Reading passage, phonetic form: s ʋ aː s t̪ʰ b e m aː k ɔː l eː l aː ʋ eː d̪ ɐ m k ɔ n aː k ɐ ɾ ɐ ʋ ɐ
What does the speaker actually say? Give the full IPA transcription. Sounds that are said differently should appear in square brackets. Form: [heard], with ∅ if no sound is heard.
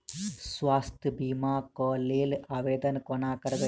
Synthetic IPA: s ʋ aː s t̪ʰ b [i] m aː k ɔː l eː l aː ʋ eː d̪ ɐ [n] k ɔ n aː k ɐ ɾ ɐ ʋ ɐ